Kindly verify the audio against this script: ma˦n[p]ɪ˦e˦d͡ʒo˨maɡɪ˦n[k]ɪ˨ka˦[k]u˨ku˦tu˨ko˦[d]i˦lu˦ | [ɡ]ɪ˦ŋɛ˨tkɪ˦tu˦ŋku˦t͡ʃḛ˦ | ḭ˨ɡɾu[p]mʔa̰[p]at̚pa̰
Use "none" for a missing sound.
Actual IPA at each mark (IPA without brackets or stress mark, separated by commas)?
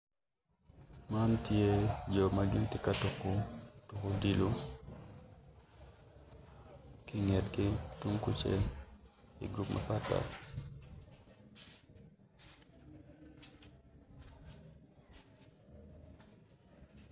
t, t, t, d, k, p, p